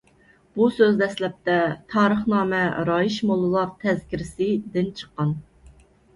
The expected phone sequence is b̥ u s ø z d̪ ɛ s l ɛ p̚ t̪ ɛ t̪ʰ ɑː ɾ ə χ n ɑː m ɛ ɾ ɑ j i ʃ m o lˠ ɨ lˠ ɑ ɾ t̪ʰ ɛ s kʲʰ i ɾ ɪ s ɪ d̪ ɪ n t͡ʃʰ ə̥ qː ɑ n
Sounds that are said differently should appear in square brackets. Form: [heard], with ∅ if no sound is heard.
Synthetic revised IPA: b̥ u s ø z d̪ ɛ s l ɛ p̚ t̪ ɛ t̪ʰ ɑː ɾ ə χ n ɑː m ɛ ɾ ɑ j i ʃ m o lˠ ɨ lˠ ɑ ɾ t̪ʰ ɛ [z] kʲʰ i ɾ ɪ s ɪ d̪ ɪ n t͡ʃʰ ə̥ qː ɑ n